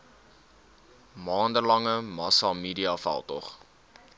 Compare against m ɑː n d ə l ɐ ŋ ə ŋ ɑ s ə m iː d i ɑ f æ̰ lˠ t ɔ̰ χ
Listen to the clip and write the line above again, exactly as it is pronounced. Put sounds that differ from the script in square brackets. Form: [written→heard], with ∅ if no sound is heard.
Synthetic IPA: m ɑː n d ə l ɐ ŋ ə [ŋ→m] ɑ s [ə→ɑ] m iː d i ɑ f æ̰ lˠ t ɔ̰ χ